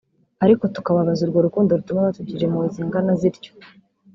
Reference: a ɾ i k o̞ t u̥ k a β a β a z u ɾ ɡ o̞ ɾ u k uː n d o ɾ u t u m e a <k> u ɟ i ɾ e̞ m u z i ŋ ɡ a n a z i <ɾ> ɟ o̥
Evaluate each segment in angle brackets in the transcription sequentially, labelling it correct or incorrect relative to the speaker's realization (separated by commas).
incorrect, correct